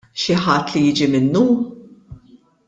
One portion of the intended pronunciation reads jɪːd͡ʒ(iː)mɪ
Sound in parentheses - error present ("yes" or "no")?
yes